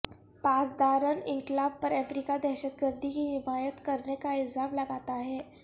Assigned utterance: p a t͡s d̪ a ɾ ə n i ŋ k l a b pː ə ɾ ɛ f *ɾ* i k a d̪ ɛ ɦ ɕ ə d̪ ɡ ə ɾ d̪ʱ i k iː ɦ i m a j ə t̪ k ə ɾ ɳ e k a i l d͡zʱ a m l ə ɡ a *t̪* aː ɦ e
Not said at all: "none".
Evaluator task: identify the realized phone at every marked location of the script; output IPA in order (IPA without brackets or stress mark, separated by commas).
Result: ɾ, t̪